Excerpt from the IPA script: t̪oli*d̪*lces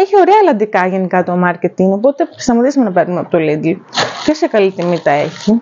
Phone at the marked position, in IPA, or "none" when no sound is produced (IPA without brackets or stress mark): d̪